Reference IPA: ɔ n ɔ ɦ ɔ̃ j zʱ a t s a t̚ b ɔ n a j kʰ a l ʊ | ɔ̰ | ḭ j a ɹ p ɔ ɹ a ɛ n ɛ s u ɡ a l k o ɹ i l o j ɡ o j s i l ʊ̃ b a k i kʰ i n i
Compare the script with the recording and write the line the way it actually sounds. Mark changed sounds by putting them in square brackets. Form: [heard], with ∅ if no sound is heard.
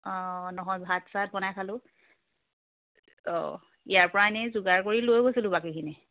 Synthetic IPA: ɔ n ɔ ɦ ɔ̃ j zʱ a t s a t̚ b ɔ n a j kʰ a l ʊ | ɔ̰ | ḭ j a ɹ p ɔ ɹ a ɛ n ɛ [z] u ɡ a [ɹ] k o ɹ i l o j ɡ o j s i l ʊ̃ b a k i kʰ i n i